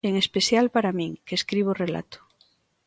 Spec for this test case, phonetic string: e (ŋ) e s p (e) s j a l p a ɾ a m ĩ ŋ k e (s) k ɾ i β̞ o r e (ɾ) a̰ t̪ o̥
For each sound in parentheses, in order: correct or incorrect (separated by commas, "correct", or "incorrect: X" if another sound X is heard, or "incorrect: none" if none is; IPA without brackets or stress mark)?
correct, correct, correct, incorrect: l